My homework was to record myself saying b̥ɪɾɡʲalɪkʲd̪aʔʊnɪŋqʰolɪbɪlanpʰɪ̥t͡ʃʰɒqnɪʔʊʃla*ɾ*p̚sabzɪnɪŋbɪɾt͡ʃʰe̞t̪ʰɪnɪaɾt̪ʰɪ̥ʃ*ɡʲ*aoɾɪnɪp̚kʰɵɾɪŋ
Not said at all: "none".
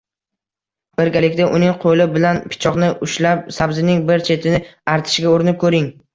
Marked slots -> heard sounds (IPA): none, ɡʲ

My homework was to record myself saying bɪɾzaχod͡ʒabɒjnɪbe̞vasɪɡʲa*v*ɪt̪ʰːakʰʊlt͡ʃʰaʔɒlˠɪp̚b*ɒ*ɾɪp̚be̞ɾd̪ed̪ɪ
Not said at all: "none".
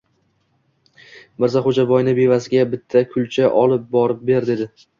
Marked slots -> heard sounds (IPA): b, ɒ

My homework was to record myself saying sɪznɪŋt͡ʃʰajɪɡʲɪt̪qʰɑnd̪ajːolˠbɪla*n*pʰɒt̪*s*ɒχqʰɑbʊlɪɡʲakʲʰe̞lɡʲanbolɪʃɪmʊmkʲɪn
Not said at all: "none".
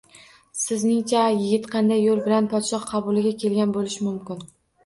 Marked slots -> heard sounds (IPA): n, ʃ

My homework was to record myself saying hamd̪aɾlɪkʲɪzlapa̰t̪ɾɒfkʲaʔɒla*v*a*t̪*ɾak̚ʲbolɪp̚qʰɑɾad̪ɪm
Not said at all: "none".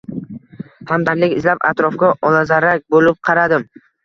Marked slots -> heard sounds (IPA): z, none

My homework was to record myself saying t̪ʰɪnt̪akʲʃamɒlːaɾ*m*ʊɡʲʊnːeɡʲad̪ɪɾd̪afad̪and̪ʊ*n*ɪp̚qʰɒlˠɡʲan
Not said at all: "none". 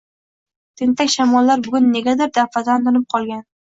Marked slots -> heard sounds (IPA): b, n

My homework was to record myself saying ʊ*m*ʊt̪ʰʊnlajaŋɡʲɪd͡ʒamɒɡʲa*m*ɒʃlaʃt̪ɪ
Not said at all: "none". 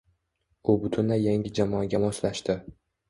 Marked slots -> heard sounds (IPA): b, m

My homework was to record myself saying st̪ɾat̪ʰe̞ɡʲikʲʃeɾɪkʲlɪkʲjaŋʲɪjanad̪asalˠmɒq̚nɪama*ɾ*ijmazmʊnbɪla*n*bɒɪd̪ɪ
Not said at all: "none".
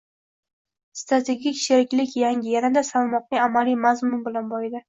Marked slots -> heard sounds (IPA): l, n

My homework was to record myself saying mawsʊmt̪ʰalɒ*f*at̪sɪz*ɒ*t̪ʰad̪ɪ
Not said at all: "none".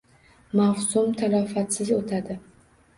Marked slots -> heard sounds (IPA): f, o

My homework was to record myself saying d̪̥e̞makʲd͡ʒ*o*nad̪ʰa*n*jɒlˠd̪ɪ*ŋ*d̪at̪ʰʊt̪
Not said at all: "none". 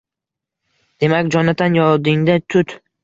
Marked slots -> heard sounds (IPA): ɒ, n, ŋ

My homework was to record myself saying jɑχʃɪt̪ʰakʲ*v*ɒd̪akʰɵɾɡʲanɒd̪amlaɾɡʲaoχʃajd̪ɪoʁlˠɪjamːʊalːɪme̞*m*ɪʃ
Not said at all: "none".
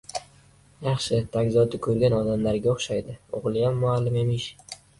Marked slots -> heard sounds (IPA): z, m

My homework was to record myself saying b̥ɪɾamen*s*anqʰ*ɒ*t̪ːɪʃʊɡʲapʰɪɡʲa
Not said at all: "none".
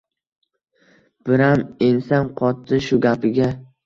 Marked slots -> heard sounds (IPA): s, ɒ

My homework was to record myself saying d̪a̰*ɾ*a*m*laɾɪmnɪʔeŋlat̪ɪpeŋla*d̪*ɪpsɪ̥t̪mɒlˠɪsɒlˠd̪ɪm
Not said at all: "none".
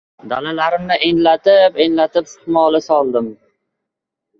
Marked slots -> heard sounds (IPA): l, none, t̪

